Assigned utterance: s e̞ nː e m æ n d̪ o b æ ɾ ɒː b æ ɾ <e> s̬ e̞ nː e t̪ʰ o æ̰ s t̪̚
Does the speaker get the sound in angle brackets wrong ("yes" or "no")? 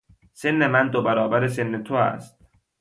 no